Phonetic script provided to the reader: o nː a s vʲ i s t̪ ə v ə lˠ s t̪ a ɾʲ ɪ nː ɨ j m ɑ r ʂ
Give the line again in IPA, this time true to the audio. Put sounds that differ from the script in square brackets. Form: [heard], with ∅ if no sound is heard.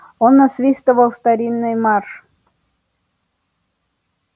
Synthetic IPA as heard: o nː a s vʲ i s t̪ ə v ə lˠ s t̪ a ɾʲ [i] nː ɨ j m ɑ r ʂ